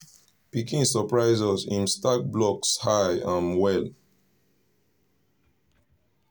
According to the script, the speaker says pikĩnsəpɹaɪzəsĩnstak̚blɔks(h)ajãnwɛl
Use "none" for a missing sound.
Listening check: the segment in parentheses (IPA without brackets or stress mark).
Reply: h